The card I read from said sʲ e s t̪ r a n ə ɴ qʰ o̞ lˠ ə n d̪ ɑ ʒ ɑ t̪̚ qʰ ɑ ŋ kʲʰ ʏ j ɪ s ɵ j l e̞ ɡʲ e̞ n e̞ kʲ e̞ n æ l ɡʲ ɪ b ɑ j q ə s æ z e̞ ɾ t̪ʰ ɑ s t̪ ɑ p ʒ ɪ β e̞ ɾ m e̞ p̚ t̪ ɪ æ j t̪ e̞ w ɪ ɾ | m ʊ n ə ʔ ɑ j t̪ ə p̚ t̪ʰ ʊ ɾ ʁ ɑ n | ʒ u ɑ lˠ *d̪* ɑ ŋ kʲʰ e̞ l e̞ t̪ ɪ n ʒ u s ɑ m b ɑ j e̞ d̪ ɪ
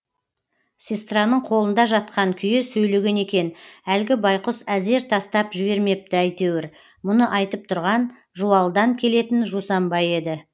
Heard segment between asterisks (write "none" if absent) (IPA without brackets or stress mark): d̪